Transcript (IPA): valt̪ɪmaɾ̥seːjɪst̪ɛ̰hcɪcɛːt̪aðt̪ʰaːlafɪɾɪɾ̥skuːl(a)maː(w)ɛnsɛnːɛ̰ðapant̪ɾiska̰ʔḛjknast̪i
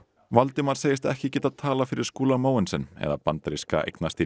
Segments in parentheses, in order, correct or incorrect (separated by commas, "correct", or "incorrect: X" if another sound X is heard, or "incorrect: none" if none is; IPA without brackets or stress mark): correct, correct